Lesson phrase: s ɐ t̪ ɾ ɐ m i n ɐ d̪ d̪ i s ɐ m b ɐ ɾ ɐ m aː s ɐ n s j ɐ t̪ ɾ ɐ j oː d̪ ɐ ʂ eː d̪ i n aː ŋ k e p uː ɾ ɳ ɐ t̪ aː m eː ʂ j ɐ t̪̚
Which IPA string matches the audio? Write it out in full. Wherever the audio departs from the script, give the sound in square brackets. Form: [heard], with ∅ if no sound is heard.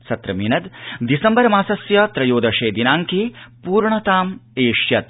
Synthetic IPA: s ɐ t̪ ɾ ɐ m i n ɐ d̪ d̪ i s ɐ m b ɐ ɾ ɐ m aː s ɐ [∅] s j ɐ t̪ ɾ ɐ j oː d̪ ɐ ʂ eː d̪ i n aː ŋ k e p uː ɾ ɳ ɐ t̪ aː m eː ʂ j ɐ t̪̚